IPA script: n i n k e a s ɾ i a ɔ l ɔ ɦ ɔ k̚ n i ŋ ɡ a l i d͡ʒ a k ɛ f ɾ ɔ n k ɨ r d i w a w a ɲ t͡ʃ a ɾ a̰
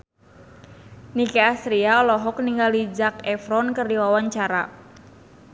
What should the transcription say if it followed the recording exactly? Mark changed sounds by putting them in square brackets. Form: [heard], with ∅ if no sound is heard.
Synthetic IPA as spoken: n i [∅] k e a s ɾ i a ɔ l ɔ ɦ ɔ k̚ n i ŋ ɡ a l i d͡ʒ a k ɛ f ɾ ɔ n k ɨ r d i w a w a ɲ t͡ʃ a ɾ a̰